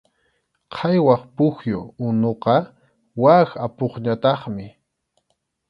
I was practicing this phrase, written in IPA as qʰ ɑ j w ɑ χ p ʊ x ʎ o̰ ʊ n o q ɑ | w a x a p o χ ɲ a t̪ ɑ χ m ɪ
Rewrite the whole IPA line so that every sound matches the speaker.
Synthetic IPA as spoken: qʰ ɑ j w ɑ χ p ʊ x j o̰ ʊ n o q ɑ | w a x a p o χ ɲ a t̪ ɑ χ m ɪ